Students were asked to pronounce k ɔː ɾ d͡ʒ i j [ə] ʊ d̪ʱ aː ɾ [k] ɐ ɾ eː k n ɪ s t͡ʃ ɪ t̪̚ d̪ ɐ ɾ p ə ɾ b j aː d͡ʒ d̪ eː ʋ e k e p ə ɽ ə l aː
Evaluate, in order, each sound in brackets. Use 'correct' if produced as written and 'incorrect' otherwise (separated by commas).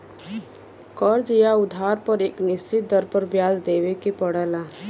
incorrect, incorrect